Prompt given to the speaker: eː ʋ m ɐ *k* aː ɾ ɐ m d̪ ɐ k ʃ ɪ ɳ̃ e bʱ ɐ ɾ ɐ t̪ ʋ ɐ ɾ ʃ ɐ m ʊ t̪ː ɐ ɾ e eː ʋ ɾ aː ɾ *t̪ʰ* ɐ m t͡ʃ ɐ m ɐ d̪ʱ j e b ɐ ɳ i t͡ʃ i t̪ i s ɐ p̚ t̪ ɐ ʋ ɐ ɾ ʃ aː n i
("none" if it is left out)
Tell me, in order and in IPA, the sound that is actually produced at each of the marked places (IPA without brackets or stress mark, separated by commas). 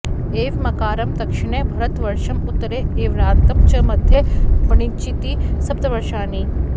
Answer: k, t̪